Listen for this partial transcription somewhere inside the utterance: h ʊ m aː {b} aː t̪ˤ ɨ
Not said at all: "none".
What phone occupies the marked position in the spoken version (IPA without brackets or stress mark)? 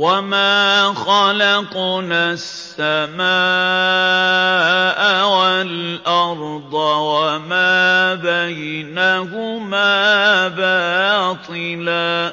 b